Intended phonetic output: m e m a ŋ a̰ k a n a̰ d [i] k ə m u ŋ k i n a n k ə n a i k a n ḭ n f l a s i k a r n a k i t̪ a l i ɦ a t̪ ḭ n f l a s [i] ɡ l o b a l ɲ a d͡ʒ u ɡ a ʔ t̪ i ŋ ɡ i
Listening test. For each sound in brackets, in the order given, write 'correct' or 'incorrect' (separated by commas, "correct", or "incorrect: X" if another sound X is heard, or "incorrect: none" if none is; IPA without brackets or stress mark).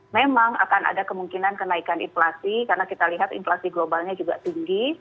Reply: incorrect: a, correct